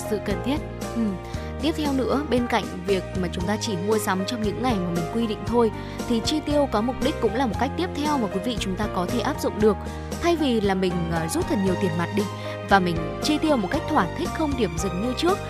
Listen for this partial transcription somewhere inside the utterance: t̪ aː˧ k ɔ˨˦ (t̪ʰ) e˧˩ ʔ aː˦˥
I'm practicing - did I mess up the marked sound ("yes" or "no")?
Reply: no